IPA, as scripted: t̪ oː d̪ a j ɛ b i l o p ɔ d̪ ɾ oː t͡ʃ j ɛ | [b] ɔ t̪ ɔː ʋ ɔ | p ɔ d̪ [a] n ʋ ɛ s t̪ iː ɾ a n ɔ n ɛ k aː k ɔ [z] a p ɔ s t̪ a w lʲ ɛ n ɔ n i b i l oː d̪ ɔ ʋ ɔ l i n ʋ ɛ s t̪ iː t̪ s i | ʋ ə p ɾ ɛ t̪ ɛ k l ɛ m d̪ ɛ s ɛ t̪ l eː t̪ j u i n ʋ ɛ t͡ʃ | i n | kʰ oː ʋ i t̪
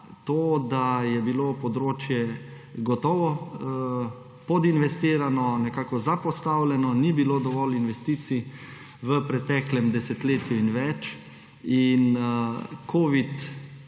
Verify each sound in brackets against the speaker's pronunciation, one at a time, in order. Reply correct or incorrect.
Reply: incorrect: ɡ, incorrect: i, correct

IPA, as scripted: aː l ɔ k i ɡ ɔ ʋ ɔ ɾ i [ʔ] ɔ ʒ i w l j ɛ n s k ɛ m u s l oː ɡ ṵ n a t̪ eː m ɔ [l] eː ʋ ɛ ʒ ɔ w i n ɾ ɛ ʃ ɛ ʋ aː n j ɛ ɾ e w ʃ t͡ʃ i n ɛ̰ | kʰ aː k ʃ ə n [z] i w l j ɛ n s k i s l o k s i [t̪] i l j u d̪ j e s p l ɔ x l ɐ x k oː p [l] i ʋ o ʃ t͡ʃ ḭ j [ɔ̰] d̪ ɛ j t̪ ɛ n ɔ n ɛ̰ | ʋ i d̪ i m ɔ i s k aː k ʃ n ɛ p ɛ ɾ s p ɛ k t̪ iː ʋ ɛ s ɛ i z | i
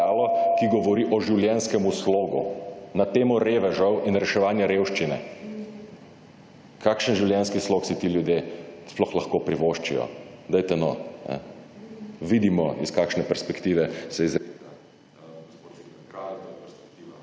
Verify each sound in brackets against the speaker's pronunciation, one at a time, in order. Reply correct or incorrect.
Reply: correct, incorrect: ɾ, incorrect: ʒ, correct, incorrect: ɾ, correct

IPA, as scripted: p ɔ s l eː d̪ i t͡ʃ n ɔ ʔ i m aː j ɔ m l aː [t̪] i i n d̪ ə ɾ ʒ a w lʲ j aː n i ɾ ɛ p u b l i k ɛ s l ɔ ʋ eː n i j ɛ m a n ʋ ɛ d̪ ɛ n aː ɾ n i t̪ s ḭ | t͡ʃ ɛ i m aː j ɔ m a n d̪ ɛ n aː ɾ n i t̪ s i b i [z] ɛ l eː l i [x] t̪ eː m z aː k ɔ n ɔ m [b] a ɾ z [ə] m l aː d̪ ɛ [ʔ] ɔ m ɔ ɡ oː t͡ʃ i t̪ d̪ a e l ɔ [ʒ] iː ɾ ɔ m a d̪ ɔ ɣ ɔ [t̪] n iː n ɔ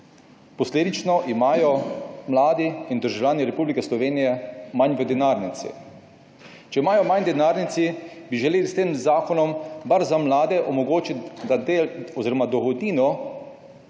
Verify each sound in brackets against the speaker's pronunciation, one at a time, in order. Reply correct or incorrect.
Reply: incorrect: d̪, incorrect: ʒ, incorrect: s, correct, incorrect: a, correct, incorrect: z, incorrect: d̪

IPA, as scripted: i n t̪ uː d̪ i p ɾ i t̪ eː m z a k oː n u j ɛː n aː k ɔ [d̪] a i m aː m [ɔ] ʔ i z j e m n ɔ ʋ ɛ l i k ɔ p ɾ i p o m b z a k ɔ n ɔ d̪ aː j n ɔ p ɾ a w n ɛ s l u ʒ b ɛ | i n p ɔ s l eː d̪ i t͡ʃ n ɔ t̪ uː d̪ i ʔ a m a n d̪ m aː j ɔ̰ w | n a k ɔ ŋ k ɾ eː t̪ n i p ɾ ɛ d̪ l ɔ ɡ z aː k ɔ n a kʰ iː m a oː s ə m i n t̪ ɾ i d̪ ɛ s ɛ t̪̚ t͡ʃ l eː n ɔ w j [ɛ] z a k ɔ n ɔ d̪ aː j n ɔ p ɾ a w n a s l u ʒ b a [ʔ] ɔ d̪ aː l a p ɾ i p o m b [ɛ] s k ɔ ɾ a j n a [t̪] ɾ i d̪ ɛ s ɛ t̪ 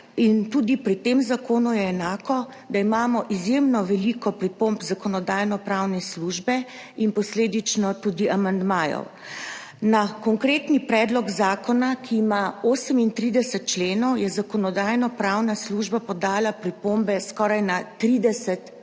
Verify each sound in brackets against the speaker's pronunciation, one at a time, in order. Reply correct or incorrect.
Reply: correct, correct, correct, incorrect: p, correct, correct

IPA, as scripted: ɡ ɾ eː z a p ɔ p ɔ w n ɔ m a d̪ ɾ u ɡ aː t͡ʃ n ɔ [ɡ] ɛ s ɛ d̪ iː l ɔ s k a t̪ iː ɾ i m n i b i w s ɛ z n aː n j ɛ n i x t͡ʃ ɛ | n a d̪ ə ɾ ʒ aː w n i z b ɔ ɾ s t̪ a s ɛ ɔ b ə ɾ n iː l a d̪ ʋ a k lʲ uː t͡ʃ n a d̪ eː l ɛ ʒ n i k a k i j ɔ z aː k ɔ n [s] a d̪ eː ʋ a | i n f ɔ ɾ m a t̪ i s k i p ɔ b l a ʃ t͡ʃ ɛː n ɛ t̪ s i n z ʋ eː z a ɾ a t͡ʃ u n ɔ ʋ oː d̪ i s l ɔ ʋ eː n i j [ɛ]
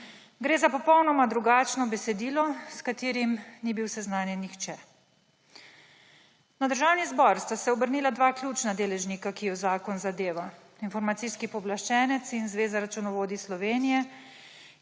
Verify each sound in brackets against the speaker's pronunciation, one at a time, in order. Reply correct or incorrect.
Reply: incorrect: b, incorrect: z, correct

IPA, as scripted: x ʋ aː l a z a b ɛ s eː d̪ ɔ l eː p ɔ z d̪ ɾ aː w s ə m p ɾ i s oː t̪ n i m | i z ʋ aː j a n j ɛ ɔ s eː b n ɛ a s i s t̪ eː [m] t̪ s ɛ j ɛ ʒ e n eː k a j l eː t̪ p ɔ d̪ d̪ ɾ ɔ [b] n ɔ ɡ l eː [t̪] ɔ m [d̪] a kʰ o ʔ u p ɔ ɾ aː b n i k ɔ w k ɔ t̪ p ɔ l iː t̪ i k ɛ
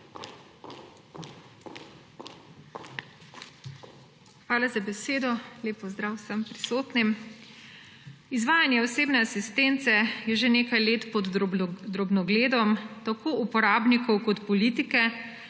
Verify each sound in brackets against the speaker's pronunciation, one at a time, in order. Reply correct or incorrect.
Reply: incorrect: n, correct, incorrect: d̪, incorrect: t̪

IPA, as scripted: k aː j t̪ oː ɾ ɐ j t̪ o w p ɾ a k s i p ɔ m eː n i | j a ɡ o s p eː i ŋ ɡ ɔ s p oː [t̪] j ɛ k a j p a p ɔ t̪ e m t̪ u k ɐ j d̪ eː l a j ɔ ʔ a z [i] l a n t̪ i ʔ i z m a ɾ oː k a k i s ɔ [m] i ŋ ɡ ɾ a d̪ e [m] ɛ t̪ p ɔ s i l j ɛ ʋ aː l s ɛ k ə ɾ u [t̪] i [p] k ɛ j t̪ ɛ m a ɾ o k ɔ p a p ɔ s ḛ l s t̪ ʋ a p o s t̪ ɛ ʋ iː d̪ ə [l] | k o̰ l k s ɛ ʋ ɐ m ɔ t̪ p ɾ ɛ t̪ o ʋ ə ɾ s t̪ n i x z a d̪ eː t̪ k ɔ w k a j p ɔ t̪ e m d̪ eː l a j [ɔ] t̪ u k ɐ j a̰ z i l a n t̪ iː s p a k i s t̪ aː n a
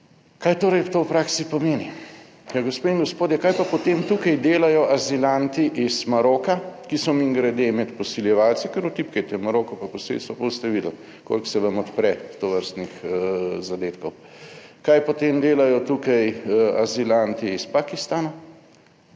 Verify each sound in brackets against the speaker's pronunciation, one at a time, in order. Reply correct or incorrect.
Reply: incorrect: d̪, correct, correct, correct, correct, correct, correct, correct

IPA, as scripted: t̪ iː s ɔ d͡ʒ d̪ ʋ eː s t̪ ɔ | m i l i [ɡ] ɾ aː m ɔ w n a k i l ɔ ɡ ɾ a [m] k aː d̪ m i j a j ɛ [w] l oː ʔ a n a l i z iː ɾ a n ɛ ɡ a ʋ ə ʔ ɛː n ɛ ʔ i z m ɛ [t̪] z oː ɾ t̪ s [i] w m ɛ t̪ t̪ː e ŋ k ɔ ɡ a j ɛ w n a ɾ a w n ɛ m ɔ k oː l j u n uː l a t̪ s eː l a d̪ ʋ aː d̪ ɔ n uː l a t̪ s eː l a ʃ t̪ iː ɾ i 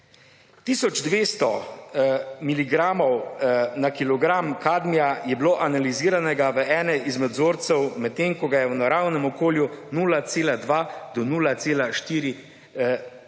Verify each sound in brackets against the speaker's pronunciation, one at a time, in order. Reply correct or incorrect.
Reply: correct, correct, incorrect: b, incorrect: d̪, incorrect: ɛ

